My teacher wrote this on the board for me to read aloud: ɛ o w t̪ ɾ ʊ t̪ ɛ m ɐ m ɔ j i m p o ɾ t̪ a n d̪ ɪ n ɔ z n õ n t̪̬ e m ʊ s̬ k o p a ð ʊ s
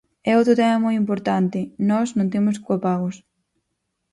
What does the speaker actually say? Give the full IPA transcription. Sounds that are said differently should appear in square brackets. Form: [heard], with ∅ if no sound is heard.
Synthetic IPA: ɛ o w t̪ ɾ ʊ t̪ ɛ m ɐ m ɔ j i m p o ɾ t̪ a n [t̪] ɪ n ɔ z n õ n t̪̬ e m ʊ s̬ k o p a [ɣ] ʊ s